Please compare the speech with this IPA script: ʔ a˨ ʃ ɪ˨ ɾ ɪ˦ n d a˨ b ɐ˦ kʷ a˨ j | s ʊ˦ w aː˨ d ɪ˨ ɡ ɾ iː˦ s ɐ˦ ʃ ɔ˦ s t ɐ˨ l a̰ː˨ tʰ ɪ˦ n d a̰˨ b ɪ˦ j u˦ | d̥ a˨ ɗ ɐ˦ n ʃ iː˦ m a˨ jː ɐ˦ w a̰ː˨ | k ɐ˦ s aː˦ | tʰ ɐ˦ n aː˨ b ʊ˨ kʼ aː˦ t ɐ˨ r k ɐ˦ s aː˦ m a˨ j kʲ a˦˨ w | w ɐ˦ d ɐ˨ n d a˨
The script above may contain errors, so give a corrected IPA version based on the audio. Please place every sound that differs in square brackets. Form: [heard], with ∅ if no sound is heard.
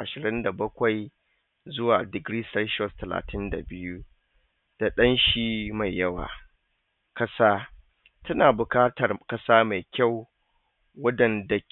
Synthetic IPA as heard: ʔ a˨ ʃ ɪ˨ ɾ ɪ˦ n d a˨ b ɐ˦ kʷ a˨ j | [z] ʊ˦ w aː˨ d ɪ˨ ɡ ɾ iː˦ s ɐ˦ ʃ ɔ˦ s t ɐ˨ l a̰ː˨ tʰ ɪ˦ n d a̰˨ b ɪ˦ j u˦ | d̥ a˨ ɗ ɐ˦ n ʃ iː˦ m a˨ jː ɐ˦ w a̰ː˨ | k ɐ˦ s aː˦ | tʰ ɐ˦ n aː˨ b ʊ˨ [k] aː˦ t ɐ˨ r k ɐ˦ s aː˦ m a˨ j kʲ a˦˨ w | w ɐ˦ d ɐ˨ n d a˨